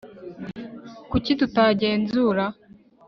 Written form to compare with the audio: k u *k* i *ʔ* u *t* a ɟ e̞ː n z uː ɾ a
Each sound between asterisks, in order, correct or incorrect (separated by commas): incorrect, incorrect, correct